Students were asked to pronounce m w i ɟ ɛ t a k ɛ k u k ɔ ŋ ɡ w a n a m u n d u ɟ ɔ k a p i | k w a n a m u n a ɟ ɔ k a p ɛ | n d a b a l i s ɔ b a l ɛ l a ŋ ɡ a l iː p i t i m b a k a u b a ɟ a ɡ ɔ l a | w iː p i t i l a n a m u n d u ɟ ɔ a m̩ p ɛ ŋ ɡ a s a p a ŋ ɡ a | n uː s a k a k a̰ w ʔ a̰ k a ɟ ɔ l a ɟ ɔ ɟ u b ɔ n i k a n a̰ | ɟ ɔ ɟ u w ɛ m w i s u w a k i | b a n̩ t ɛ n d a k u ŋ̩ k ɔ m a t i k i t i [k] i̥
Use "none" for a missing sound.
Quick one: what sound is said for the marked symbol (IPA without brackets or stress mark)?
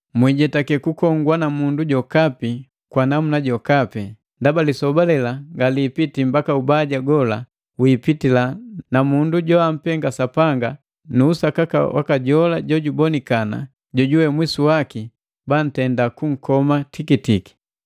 k